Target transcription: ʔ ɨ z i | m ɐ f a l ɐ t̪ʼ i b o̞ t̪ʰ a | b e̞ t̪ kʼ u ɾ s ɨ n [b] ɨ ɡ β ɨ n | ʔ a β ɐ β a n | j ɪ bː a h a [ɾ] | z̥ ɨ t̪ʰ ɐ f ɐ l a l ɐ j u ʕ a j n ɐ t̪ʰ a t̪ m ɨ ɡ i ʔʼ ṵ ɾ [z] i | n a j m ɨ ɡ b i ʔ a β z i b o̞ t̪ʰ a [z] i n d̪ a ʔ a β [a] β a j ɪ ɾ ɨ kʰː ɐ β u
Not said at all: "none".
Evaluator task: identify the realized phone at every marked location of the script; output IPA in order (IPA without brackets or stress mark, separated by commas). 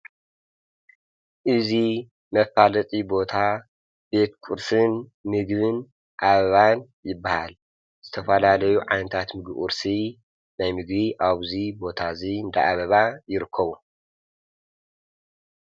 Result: m, l, s, z, ɐ